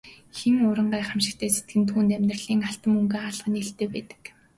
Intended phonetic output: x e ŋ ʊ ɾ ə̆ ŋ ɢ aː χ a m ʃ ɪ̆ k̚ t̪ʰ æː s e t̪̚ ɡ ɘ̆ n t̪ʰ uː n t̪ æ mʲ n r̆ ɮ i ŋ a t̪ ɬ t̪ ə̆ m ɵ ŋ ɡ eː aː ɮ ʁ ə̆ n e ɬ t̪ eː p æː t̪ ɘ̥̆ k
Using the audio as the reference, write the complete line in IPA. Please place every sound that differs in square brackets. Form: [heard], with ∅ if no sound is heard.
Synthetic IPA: x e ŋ ʊ ɾ ə̆ [ɴ] ɢ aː χ a m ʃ ɪ̆ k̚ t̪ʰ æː s e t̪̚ ɡ ɘ̆ n t̪ʰ uː n t̪ æ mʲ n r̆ ɮ [iː] ŋ a [∅] ɬ t̪ ə̆ m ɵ ŋ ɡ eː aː ɮ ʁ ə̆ n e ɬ t̪ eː p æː t̪ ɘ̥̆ k